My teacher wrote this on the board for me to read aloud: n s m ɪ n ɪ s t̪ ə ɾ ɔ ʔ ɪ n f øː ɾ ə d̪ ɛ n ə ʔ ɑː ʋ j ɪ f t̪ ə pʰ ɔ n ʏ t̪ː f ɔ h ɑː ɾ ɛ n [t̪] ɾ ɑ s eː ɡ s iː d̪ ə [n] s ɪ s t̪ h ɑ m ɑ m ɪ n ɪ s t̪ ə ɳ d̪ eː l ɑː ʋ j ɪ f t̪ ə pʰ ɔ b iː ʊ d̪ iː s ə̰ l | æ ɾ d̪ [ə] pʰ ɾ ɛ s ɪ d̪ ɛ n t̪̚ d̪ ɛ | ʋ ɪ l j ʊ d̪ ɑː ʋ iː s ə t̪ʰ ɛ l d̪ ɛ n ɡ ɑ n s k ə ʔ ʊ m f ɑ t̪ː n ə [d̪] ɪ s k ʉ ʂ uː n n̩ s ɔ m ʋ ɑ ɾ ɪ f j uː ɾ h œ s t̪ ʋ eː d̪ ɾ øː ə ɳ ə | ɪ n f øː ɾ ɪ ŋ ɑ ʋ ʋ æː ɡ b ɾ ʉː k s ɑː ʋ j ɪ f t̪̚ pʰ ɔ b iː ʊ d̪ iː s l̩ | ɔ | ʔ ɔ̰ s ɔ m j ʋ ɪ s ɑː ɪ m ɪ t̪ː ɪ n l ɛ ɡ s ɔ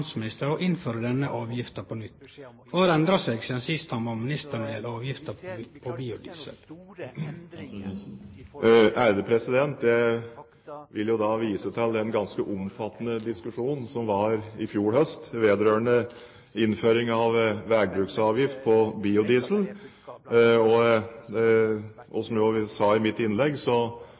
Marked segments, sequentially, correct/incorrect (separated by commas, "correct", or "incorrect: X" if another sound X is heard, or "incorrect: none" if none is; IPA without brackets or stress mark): incorrect: d̪, correct, correct, correct